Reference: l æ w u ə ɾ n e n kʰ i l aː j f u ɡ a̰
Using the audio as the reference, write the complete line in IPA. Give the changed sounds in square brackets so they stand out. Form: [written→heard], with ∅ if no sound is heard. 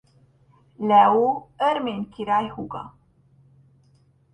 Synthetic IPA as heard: l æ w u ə ɾ [n→m] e n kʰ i [l→ɾ] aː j [f→h] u ɡ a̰